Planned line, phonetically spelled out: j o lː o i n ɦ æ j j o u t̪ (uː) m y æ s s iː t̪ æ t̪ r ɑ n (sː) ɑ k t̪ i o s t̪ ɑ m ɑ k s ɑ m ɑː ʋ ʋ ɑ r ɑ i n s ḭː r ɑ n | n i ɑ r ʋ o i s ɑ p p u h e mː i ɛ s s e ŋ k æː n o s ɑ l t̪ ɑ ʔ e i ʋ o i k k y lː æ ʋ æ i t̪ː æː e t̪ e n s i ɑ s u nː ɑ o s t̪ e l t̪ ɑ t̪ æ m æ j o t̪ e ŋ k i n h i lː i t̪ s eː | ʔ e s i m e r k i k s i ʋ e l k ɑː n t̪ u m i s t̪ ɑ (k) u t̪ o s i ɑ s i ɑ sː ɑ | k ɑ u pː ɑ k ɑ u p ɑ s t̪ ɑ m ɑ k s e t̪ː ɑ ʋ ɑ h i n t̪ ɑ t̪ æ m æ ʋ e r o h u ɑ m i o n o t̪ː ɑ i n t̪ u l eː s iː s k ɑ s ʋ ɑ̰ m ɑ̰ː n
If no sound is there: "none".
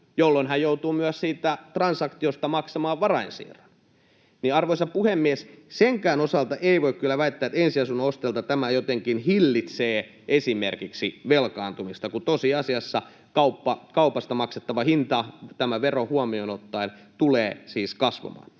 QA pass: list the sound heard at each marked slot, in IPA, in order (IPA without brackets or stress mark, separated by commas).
uː, s, k